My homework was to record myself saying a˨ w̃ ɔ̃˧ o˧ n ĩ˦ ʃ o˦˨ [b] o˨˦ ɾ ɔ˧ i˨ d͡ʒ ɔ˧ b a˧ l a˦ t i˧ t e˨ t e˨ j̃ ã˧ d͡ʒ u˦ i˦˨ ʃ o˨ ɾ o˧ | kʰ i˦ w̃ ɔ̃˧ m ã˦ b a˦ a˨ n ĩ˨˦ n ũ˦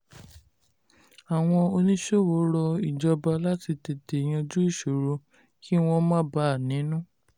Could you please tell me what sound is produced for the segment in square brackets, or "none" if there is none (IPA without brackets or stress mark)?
w